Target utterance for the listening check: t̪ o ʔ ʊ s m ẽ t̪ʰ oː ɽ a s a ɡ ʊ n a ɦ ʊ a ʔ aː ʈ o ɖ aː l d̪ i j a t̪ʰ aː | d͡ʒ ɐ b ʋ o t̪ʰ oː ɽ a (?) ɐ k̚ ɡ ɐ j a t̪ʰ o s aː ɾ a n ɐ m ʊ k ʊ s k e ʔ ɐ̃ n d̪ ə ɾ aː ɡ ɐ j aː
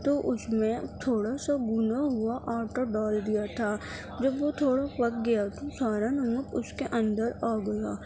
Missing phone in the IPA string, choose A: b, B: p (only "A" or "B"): B